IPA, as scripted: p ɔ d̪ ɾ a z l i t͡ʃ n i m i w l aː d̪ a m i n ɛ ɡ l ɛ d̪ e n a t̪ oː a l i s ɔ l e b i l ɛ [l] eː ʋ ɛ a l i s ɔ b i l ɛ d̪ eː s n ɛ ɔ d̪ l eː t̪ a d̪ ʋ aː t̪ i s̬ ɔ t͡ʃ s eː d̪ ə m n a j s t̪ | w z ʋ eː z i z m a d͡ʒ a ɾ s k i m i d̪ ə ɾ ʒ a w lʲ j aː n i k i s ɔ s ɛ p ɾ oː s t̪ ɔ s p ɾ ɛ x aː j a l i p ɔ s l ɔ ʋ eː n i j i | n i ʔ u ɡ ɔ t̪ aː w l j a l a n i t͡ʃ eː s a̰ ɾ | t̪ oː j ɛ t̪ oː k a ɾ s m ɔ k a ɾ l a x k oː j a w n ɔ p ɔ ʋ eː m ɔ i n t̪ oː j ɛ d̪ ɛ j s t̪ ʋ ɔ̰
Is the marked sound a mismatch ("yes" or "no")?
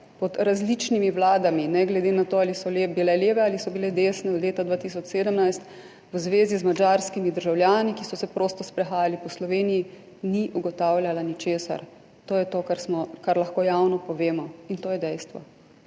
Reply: no